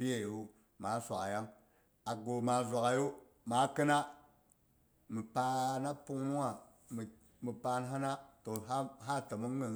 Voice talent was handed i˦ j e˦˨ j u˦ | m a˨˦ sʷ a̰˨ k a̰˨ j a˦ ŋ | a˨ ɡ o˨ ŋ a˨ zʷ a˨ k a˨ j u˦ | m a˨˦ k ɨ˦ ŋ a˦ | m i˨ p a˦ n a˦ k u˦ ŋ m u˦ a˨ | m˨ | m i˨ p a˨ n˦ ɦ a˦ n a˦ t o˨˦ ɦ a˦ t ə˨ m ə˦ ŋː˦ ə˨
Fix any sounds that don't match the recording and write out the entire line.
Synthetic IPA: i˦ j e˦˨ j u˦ | m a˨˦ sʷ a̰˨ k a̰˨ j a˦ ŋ | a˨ ɡ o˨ m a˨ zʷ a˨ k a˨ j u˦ | m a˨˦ k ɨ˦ n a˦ | m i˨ p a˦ n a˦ p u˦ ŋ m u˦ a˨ | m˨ | m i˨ p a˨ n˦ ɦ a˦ n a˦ t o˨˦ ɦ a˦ t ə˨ m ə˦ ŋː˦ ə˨